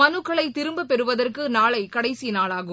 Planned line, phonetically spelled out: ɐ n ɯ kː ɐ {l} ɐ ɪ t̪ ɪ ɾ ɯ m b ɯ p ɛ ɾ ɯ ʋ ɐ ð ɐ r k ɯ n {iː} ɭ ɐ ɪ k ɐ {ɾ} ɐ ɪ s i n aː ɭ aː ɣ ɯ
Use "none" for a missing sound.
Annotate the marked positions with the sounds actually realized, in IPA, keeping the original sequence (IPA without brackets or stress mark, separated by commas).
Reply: ɭ, aː, ɽ